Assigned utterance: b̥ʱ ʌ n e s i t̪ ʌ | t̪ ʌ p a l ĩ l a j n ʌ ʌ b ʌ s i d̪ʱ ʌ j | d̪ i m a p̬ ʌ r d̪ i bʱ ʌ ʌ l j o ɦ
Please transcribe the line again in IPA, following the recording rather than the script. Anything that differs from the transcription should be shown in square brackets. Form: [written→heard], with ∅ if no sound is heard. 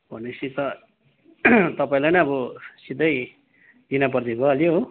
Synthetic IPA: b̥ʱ ʌ n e s i t̪ ʌ | t̪ ʌ p a [l→∅] ĩ l a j n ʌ ʌ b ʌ s i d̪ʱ ʌ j | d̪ i [m→n] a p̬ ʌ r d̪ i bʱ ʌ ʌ l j o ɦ